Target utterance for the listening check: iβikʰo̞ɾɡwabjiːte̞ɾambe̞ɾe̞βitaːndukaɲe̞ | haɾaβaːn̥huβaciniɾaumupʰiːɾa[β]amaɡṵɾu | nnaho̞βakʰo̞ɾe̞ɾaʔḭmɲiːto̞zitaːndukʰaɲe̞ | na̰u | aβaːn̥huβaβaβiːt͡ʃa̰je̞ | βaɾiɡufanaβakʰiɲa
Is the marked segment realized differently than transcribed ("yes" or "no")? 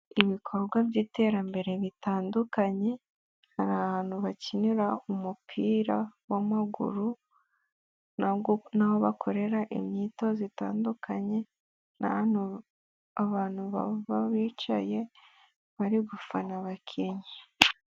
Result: yes